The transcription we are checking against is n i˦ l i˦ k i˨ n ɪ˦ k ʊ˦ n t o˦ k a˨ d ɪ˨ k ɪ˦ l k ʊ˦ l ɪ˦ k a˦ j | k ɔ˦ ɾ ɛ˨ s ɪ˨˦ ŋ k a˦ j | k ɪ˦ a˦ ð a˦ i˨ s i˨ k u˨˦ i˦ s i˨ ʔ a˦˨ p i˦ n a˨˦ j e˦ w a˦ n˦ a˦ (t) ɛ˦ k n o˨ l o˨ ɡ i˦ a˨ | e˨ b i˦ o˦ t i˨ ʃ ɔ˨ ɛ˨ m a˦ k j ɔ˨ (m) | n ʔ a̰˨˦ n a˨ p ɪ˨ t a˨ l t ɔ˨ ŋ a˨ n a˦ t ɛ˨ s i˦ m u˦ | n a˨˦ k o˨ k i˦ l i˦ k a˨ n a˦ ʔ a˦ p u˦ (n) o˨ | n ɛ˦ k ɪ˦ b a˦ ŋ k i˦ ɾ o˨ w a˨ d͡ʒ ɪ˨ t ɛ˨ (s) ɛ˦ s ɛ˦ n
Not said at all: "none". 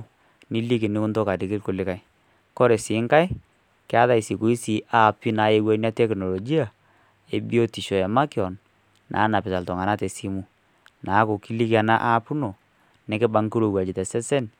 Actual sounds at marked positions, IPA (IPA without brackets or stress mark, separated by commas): t, n, n, s